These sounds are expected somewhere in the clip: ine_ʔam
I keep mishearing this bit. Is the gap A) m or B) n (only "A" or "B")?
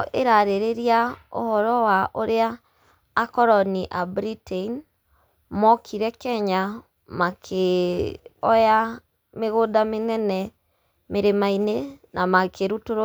B